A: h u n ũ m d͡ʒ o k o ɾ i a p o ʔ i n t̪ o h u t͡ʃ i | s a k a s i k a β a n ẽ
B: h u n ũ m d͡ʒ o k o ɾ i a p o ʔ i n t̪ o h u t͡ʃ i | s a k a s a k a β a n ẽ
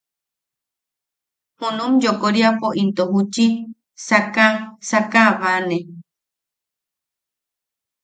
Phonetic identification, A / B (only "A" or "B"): B